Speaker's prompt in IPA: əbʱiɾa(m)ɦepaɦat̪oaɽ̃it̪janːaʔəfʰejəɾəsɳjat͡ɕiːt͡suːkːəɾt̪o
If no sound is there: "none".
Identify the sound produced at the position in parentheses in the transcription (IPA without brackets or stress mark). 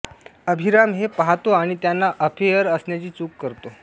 m